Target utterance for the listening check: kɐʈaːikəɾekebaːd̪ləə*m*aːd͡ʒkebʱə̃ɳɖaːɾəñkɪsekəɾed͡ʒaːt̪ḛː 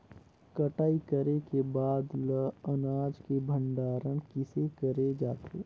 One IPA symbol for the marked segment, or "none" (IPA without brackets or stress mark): n